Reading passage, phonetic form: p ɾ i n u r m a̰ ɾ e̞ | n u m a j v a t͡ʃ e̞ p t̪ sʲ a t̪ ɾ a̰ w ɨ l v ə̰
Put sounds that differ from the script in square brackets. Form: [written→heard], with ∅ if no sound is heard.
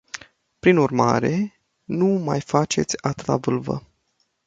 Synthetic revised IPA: p ɾ i n u r m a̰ ɾ e̞ | n u m a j [v→f] a t͡ʃ e̞ [p→∅] t̪ sʲ a t̪ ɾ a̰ [w→v] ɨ l v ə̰